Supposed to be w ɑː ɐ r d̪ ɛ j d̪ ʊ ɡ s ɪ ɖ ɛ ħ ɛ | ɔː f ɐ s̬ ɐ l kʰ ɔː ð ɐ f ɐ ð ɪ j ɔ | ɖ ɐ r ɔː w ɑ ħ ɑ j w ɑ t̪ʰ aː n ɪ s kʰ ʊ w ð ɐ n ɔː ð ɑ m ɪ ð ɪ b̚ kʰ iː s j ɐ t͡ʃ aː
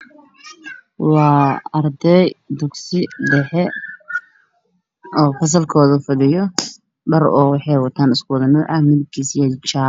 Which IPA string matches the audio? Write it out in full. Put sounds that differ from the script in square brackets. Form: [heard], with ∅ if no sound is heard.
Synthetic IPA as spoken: w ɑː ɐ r d̪ ɛ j d̪ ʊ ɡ s ɪ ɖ ɛ ħ ɛ | ɔː f ɐ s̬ ɐ l kʰ ɔː ð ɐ f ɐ ð ɪ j ɔ | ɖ ɐ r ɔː w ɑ ħ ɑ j w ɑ t̪ʰ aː n ɪ s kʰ ʊ w ð ɐ n ɔː [ʕ] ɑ m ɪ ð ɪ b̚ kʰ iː s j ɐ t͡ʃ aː